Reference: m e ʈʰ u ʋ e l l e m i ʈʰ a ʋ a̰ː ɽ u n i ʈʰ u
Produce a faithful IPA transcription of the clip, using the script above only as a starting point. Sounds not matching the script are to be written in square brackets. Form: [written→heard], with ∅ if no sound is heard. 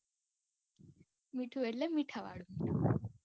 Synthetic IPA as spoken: m [e→i] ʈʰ u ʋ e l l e m i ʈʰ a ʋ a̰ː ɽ u [n→m] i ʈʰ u